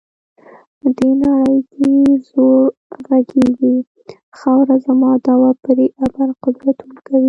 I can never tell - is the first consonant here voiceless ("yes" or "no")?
no